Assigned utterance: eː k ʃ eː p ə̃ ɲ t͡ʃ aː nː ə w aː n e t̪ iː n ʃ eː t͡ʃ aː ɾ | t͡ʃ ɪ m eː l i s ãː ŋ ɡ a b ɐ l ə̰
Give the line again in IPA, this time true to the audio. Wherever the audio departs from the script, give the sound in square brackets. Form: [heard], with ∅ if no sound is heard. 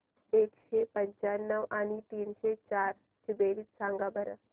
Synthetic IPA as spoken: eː k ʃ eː p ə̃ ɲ t͡ʃ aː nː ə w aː n [i] t̪ iː n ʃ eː t͡ʃ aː ɾ | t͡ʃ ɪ [b] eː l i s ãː ŋ ɡ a b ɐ [ɾ] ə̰